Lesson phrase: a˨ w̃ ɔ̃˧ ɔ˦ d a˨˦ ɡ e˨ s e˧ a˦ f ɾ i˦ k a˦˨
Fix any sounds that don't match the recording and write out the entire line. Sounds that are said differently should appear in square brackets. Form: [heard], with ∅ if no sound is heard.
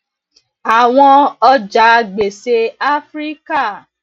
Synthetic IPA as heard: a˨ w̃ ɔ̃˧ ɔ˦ [d͡ʒ] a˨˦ [ɡ͡b] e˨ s e˧ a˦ f ɾ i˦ k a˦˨